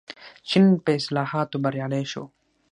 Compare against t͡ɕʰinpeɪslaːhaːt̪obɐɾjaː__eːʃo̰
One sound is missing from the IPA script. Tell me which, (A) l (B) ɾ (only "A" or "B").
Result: A